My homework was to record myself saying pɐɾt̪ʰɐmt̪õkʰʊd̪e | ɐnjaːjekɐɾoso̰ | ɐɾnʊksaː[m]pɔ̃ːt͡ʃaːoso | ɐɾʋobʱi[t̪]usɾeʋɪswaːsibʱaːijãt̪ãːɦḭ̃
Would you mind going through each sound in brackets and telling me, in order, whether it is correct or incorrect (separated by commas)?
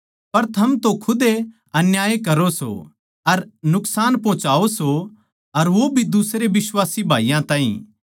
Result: incorrect, incorrect